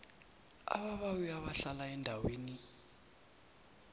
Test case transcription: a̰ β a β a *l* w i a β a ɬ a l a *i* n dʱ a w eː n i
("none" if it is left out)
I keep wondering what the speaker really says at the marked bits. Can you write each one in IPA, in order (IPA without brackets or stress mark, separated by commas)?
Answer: none, ɛ